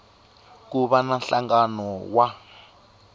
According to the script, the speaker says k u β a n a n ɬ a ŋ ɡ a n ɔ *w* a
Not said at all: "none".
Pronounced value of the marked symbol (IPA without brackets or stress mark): w